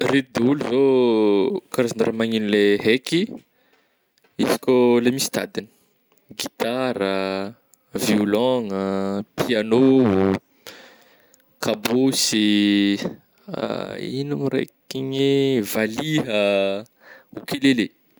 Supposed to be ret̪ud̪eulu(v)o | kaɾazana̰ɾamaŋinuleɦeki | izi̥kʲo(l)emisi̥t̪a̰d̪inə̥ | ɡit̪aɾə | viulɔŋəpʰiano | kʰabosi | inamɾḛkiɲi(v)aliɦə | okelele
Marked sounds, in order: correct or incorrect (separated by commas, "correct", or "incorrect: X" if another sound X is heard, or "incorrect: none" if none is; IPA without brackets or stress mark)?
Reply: incorrect: z, correct, correct